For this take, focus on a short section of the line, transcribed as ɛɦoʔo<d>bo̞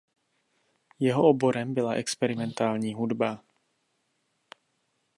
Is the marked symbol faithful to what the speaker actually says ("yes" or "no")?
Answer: no